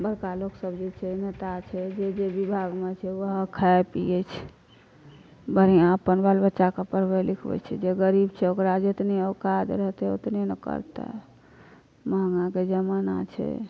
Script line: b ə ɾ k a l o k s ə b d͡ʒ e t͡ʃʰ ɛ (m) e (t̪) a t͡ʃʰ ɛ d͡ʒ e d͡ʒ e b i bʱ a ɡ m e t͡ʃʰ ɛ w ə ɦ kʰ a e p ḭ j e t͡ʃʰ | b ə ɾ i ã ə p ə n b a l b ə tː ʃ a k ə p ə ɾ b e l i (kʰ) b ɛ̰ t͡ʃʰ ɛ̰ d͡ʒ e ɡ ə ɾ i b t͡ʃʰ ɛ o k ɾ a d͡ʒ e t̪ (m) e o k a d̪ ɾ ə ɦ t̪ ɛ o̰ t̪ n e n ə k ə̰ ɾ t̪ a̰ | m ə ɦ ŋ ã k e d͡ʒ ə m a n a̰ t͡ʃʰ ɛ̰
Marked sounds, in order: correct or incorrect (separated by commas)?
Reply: incorrect, correct, correct, incorrect